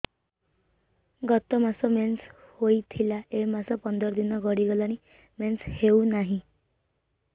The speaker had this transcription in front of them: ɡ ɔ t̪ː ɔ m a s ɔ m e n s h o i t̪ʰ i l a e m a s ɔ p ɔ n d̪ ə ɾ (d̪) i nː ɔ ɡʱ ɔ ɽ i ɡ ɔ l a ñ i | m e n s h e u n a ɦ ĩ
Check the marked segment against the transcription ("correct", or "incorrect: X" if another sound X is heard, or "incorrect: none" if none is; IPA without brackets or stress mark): correct